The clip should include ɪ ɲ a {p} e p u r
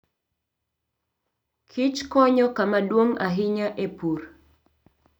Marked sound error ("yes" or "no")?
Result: yes